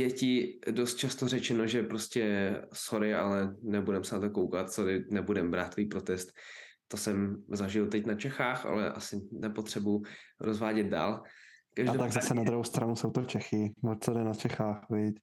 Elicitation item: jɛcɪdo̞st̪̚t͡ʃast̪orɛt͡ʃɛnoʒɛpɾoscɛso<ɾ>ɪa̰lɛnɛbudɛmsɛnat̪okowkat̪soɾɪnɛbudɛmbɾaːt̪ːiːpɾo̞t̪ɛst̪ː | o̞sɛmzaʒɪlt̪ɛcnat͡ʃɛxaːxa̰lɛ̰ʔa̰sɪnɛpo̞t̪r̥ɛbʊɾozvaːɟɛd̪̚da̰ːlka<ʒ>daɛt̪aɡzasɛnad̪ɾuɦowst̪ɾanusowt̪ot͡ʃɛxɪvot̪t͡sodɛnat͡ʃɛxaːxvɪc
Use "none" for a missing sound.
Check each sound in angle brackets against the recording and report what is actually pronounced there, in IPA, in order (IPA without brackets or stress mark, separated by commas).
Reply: ɾ, ʒ